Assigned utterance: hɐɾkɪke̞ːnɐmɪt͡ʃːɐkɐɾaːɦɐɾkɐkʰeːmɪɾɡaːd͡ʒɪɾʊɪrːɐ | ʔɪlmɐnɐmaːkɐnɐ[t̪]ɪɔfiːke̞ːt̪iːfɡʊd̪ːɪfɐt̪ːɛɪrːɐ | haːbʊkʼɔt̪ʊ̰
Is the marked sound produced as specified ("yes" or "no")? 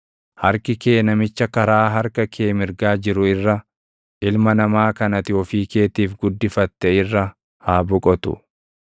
yes